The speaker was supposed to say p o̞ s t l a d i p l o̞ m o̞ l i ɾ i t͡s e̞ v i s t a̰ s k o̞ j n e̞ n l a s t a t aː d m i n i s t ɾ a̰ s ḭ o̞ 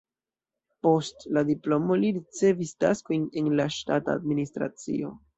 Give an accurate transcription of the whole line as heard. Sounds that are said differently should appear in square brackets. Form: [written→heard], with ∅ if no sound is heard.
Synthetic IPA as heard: p o̞ s t l a d i p l o̞ m o̞ l i ɾ i t͡s e̞ v i s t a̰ s k o̞ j n e̞ n l a [s→ʃ] t a t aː d m i n i s t ɾ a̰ [s→t͡s] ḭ o̞